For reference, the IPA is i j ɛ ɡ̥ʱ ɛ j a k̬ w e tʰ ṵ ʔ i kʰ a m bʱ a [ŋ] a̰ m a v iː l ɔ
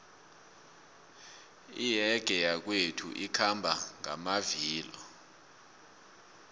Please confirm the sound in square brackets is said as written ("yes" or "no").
yes